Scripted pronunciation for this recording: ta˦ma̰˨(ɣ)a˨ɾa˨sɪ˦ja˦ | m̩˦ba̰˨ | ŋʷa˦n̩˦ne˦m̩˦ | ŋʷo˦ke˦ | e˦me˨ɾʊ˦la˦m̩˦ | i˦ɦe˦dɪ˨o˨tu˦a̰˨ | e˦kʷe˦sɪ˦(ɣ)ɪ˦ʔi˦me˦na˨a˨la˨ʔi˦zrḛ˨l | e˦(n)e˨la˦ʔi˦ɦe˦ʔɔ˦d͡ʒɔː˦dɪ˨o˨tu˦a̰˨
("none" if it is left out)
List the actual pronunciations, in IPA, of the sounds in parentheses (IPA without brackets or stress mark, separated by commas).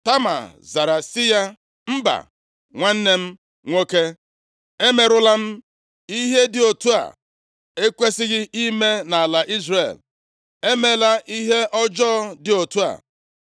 z, ɣ, m